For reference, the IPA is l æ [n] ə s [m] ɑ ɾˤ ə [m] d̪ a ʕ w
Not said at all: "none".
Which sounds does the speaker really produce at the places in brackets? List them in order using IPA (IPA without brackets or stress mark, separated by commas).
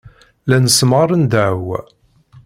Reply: n, m, n